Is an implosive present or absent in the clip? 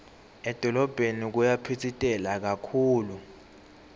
absent